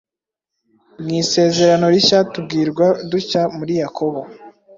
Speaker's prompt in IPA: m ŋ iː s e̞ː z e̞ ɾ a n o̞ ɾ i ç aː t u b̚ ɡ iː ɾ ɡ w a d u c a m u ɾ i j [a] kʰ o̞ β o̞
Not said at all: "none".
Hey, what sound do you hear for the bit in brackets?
a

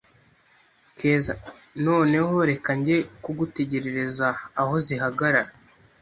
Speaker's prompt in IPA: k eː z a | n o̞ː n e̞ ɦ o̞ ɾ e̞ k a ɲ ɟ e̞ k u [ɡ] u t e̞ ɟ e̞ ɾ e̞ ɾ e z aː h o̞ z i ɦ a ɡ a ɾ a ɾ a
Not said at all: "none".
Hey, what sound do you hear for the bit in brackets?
ɡ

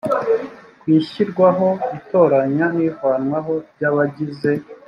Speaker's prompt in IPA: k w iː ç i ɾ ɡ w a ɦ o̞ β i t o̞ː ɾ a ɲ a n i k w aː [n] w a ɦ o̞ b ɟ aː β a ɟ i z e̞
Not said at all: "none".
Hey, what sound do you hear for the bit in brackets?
n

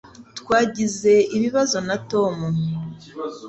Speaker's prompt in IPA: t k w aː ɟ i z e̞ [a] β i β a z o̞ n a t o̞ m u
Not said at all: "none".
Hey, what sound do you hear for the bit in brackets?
i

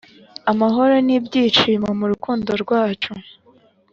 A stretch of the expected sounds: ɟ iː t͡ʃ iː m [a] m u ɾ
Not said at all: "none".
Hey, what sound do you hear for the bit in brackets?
a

